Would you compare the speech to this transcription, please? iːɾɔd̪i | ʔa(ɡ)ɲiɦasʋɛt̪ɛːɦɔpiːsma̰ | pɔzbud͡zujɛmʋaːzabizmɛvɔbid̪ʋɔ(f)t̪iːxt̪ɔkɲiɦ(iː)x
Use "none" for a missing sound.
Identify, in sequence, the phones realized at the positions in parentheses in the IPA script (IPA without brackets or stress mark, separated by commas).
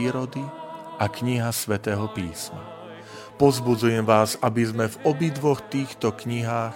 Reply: k, x, aː